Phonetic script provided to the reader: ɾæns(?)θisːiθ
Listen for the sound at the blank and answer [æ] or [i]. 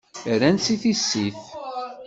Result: i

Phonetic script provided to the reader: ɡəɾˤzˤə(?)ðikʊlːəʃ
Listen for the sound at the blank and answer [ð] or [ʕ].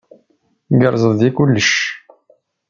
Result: ð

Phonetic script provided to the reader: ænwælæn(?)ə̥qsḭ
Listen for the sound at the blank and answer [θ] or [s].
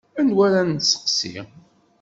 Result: s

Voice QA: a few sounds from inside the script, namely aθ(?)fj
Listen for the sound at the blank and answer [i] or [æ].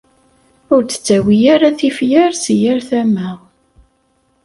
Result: i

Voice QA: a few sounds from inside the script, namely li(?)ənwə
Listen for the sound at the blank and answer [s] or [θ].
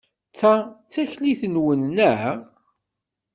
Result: θ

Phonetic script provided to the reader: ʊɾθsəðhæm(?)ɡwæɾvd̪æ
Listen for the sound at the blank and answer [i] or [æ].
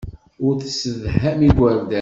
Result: i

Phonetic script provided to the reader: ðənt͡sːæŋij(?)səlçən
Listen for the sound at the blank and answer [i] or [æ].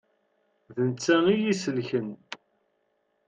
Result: i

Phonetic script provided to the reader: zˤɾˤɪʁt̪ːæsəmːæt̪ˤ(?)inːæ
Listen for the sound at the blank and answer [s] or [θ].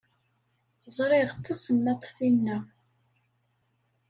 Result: θ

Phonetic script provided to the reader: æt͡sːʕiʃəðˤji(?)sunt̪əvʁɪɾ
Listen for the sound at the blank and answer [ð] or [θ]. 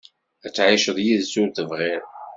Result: ð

